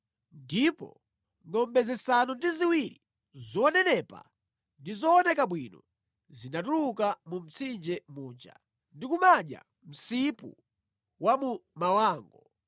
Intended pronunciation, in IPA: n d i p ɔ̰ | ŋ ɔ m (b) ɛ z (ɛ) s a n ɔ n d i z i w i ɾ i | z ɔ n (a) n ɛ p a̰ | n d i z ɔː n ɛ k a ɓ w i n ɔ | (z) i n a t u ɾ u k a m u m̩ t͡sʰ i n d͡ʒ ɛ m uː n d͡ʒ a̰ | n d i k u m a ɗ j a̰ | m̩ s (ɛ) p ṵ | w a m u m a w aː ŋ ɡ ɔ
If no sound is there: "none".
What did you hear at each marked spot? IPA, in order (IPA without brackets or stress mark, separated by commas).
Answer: b, ɛ, ɛ, z, i